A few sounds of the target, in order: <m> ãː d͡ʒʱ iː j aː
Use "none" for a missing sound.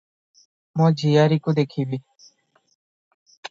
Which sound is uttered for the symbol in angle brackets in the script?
m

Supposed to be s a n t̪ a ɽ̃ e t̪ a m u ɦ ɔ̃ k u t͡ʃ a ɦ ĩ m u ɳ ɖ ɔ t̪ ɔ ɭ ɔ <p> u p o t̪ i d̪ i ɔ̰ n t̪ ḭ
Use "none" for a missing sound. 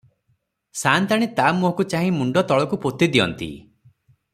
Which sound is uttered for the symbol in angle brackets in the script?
k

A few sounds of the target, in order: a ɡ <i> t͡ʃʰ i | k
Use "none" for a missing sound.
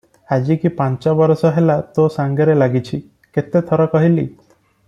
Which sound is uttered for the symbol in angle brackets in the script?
i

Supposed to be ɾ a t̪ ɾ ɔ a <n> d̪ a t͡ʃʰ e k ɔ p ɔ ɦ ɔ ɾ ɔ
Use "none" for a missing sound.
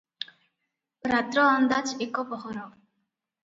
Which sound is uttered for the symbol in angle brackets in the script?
n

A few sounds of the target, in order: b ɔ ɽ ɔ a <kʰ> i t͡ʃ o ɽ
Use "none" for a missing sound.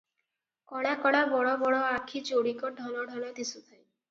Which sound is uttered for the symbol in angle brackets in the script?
kʰ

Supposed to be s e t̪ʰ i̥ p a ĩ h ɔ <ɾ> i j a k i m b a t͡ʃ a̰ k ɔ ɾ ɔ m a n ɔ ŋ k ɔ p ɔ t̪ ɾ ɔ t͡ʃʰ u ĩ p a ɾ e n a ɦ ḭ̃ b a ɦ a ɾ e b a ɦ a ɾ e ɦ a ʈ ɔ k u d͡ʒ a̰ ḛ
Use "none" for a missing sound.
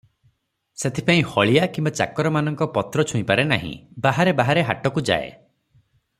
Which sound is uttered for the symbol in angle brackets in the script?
ɭ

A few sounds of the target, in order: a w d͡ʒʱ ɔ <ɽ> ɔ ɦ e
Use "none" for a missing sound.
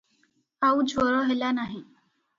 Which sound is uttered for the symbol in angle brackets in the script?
ɾ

